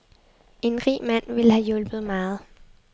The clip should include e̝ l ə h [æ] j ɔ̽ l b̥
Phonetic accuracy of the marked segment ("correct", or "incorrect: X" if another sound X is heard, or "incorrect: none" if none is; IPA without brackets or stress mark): correct